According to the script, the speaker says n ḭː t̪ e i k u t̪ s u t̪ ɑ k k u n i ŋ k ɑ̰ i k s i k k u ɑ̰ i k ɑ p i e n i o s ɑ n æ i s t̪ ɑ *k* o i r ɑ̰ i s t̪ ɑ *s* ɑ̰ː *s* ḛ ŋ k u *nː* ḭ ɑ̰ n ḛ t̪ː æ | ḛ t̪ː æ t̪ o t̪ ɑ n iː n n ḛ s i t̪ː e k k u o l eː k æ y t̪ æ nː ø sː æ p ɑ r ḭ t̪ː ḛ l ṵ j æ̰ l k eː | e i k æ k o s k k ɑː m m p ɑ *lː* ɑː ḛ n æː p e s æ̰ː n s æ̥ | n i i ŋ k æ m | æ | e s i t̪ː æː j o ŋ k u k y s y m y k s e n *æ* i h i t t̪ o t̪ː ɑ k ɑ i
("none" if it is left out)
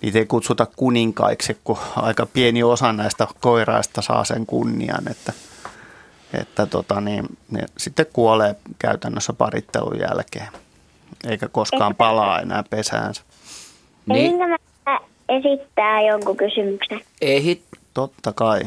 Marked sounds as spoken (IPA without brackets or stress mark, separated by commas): k, s, s, nː, l, e